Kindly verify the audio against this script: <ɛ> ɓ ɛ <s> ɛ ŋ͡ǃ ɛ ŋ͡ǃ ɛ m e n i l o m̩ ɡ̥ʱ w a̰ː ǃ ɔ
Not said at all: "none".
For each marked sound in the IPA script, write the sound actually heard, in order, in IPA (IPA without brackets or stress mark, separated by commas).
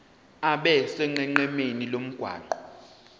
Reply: a, s